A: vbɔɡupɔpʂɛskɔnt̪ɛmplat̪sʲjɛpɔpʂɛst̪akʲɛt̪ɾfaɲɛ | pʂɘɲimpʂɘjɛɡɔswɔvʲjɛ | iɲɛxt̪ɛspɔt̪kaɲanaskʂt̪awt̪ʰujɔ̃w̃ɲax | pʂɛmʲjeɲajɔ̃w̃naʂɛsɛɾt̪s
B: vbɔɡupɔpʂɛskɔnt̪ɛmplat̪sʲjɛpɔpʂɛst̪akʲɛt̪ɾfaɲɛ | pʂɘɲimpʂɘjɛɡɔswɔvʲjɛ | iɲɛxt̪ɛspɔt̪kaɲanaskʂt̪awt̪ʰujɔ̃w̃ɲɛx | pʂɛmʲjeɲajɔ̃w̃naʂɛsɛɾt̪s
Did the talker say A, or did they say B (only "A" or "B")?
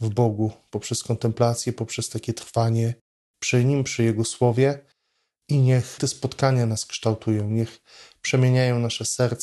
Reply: B